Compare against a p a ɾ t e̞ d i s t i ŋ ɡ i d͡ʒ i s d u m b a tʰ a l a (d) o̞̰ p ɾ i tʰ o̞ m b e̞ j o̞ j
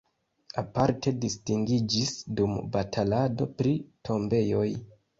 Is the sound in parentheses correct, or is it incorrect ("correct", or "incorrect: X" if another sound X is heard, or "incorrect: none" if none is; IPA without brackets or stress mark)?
correct